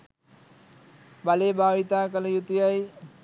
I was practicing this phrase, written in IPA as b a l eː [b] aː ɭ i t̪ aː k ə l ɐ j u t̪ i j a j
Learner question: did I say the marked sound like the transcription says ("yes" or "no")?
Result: yes